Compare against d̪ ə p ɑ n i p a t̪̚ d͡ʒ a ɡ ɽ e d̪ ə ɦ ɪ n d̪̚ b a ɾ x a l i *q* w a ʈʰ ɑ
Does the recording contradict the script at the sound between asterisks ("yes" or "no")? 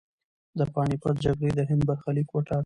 yes